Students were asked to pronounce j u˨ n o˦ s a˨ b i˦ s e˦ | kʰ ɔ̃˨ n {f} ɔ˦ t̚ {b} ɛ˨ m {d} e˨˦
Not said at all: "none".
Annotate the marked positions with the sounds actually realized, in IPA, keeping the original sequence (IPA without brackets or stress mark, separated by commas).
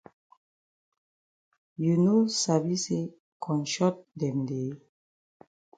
ʃ, d, d